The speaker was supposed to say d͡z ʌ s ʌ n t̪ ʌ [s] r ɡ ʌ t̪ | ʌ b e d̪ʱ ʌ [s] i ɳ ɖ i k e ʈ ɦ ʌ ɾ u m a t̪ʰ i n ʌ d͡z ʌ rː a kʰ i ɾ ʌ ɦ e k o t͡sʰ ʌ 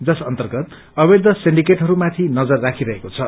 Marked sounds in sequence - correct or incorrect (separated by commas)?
incorrect, correct